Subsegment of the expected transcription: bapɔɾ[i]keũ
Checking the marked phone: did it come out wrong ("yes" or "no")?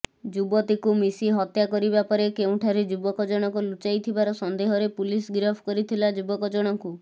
yes